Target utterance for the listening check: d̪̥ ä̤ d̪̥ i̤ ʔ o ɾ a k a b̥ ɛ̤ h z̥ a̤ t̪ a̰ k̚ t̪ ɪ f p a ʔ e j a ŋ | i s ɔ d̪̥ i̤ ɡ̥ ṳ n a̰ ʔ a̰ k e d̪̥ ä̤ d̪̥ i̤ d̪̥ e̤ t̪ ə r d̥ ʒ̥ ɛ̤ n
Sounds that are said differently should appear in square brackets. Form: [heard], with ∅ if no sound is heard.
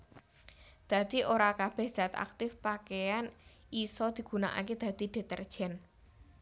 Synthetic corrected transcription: d̪̥ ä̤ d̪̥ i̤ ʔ o ɾ a k a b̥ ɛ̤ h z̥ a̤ t̪ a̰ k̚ t̪ ɪ f p a [k] e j a [n] | i s ɔ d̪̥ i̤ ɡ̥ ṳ n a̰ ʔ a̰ k e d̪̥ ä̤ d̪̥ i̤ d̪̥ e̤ t̪ ə r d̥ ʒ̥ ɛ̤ n